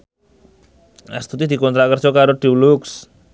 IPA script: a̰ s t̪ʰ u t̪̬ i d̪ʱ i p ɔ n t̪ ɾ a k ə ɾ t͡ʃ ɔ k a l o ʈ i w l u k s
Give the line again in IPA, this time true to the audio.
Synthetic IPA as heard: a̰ s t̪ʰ u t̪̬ i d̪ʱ i k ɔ n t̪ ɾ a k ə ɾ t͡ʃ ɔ k a ɾ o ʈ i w l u k s